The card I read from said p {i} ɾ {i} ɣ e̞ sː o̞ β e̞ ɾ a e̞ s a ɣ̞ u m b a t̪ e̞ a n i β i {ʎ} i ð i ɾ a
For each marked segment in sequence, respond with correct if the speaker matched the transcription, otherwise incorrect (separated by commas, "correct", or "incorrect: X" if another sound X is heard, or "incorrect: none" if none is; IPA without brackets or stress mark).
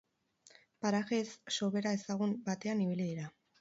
incorrect: a, incorrect: a, incorrect: l